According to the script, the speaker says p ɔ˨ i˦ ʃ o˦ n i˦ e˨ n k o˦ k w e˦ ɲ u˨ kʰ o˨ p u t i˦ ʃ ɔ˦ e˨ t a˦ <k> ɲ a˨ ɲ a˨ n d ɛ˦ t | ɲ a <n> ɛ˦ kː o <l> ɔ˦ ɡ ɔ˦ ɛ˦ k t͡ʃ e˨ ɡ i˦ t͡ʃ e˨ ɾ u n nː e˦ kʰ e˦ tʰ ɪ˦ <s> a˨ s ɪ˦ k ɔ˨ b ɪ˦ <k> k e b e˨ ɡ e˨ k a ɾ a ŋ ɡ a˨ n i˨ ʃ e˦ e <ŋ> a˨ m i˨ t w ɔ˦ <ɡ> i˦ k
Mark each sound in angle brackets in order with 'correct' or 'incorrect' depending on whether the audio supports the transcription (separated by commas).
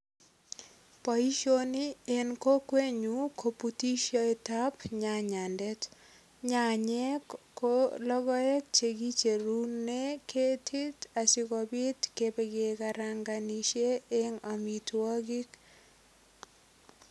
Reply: incorrect, incorrect, correct, incorrect, incorrect, correct, correct